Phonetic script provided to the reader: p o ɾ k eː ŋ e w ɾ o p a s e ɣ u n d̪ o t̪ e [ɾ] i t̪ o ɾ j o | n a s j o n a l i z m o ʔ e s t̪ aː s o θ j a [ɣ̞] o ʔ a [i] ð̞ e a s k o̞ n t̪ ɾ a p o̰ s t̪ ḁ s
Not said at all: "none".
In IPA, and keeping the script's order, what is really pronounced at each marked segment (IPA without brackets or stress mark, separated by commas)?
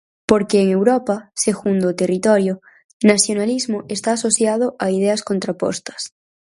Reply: r, ð̞, i